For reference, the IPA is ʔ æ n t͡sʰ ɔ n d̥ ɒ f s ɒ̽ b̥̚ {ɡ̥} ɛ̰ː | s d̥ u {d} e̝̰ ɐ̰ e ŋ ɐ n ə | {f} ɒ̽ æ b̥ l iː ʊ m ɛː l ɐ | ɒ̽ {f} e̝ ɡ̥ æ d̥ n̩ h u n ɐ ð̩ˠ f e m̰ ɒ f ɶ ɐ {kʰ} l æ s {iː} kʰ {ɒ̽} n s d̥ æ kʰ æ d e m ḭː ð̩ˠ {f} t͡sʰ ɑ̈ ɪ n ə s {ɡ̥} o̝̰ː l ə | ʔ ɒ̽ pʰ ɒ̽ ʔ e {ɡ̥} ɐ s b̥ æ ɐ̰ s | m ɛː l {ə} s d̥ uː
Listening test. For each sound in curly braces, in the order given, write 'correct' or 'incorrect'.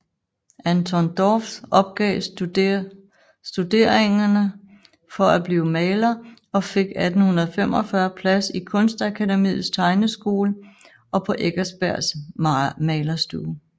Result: correct, correct, correct, correct, incorrect: pʰ, incorrect: i, incorrect: ɔ̽, incorrect: s, correct, correct, incorrect: ɐ

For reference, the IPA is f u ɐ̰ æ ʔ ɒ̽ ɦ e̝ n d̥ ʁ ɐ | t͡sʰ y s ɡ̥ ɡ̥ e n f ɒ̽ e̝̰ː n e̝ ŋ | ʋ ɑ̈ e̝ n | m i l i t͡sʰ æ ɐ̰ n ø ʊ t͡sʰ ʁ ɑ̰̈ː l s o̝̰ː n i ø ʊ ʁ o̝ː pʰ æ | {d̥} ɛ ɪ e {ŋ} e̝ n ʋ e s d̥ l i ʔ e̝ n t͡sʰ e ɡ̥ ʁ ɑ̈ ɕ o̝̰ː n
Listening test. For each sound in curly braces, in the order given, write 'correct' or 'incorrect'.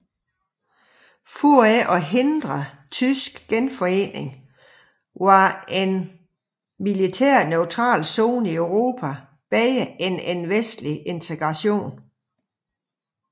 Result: incorrect: b̥, incorrect: n

